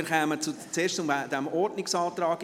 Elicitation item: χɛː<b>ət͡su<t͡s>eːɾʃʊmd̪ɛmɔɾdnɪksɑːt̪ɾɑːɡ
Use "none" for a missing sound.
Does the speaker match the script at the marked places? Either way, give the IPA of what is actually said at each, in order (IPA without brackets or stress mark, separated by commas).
m, t͡s